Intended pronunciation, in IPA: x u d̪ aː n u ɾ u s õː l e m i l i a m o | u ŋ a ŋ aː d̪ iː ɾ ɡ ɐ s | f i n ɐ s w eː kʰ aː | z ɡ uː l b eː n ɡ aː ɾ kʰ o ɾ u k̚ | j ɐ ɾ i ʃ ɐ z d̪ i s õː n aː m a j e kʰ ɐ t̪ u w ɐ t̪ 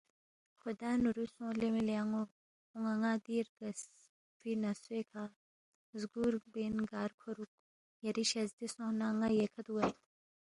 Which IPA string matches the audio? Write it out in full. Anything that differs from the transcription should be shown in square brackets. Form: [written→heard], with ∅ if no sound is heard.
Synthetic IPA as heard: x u d̪ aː n u ɾ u s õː l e m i l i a [m→ŋ] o | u ŋ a ŋ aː d̪ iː ɾ ɡ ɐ s | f i n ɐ s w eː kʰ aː | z ɡ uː [l→ɾ] b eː n ɡ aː ɾ kʰ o ɾ u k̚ | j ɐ ɾ i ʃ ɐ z d̪ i s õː n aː [m→ŋ] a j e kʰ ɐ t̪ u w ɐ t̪